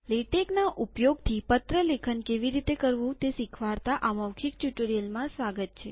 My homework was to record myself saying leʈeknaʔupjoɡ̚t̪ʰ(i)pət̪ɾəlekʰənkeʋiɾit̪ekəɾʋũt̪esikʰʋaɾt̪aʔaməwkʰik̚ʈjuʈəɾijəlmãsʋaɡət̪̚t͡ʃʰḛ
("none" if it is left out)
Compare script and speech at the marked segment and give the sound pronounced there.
i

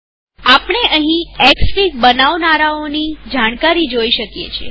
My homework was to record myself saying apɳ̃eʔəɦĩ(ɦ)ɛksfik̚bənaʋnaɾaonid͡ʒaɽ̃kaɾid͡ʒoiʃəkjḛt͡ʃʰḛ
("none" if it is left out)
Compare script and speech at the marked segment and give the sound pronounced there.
none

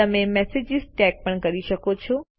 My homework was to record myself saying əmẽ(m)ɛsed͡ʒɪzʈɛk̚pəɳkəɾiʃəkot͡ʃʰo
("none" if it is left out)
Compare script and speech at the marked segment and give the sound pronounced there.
m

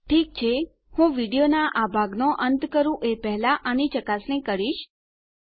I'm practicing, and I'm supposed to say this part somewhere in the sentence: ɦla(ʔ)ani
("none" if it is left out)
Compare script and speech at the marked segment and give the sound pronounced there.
ʔ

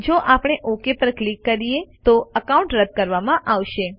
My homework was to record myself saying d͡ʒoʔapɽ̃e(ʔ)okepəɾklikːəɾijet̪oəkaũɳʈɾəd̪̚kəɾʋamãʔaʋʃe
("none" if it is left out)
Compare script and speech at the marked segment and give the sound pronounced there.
ʔ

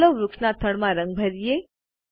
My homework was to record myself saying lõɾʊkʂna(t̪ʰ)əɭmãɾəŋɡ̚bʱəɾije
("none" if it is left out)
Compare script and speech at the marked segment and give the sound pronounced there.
t̪ʰ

